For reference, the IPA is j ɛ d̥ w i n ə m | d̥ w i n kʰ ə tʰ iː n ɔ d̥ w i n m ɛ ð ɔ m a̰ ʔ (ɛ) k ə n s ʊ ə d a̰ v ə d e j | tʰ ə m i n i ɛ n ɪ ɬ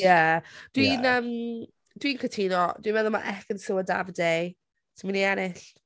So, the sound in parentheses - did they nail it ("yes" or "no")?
yes